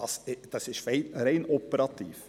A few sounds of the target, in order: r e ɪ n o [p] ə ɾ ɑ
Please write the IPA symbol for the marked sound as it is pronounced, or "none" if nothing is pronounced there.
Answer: p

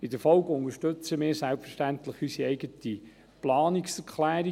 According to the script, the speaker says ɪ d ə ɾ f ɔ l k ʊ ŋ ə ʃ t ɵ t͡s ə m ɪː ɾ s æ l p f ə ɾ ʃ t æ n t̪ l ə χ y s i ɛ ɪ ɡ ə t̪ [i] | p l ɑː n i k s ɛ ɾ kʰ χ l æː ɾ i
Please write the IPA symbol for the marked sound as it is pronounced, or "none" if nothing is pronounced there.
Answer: i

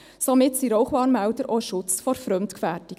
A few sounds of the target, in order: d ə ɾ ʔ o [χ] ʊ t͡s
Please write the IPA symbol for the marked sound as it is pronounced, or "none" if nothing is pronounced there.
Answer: ʃ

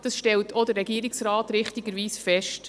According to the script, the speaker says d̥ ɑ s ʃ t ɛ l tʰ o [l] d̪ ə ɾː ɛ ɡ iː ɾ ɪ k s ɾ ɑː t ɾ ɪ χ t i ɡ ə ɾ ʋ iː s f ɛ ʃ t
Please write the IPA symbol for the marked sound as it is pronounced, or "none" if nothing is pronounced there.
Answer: none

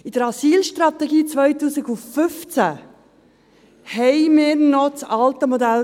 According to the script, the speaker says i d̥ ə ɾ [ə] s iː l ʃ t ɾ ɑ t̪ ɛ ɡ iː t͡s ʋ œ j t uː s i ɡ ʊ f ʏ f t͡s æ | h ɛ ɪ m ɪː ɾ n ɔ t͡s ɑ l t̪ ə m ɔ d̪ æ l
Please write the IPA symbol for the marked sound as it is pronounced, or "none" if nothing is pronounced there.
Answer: ɑ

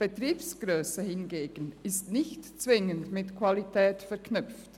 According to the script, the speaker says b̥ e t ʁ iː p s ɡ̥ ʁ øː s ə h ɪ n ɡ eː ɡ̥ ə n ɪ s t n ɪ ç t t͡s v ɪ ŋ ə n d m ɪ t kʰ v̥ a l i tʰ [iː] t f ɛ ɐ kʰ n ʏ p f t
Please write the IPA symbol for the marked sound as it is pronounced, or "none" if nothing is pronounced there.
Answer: ɛː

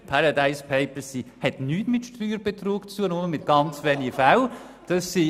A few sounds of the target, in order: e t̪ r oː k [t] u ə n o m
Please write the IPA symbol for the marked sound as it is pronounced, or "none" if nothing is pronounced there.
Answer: t͡s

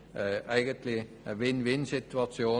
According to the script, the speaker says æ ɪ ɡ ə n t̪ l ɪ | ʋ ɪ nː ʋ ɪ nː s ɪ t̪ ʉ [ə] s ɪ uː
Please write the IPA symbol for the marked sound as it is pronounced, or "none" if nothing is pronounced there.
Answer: ɑ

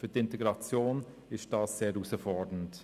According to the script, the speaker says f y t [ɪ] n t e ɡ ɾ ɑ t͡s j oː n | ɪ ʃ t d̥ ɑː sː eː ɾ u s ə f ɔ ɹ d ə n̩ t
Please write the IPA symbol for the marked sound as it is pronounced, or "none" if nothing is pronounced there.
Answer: ɪ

